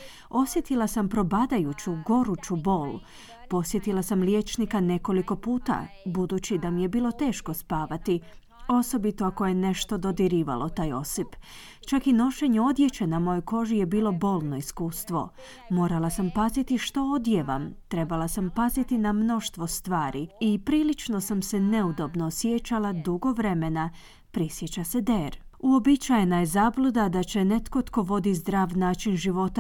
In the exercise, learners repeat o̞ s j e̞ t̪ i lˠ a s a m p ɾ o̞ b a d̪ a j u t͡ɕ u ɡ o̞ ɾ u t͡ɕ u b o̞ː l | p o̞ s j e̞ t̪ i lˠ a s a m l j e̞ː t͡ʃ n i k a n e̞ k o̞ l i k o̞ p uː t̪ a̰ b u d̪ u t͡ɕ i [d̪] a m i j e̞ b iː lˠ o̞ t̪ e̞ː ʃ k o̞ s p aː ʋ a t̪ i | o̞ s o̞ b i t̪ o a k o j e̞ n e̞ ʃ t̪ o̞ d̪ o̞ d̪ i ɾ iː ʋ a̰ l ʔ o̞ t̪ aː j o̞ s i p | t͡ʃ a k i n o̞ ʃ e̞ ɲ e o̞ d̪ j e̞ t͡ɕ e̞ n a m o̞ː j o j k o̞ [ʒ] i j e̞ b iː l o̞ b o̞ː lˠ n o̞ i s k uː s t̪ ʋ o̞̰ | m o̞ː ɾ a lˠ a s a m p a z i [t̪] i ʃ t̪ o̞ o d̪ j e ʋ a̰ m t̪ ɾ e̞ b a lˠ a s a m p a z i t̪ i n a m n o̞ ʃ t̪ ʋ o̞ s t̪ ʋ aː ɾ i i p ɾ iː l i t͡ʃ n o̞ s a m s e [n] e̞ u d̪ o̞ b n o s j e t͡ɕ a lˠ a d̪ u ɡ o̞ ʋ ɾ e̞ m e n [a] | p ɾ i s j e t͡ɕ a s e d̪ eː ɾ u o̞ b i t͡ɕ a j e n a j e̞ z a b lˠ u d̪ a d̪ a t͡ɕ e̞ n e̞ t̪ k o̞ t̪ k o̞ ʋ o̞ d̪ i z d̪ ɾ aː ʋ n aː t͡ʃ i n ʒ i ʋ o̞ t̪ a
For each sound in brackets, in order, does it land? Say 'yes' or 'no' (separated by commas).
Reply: yes, yes, yes, yes, yes